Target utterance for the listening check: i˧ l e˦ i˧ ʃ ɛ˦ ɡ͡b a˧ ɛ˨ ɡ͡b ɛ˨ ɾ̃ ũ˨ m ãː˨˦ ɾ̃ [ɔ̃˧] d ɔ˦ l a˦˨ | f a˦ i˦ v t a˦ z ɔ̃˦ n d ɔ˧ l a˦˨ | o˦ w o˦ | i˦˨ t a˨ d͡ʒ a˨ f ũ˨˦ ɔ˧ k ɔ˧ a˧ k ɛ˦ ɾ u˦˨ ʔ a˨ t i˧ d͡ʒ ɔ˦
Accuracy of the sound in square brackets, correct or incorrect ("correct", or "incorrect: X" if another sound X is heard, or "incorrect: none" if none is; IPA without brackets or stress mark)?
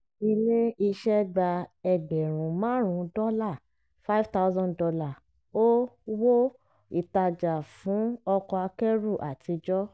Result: incorrect: ũ˧